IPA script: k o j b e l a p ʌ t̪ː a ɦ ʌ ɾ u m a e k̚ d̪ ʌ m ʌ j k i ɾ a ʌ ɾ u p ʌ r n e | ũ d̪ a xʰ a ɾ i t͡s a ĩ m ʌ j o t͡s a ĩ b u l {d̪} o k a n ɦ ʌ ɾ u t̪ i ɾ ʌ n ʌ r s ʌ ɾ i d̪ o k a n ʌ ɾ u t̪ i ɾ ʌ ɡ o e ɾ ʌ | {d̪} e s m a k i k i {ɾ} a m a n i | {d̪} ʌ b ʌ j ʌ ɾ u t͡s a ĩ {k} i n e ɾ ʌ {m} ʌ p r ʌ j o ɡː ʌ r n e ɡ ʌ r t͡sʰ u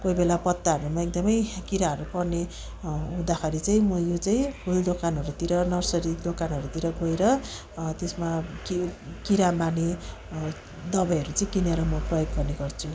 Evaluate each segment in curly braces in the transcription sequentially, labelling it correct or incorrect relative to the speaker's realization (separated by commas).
correct, incorrect, correct, correct, correct, correct